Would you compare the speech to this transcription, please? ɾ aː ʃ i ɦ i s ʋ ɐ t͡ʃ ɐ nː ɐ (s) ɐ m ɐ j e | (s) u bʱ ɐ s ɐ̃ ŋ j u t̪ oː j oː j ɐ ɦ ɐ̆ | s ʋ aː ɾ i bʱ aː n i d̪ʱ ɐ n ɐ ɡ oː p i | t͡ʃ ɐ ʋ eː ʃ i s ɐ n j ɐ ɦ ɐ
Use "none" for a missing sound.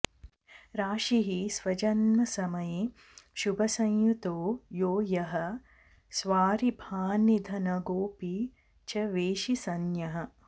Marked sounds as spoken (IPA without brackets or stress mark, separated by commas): s, ʃ